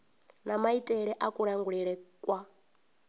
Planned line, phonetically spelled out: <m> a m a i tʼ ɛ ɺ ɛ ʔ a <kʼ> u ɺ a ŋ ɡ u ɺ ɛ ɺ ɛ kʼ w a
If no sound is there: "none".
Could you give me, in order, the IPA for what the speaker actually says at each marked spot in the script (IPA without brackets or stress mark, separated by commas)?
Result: n, kʼ